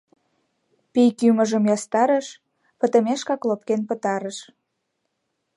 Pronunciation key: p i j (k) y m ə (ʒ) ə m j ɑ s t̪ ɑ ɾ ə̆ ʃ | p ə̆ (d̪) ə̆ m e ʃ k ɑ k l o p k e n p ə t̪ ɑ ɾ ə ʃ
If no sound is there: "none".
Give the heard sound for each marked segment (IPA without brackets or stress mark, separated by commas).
k, ʒ, t̪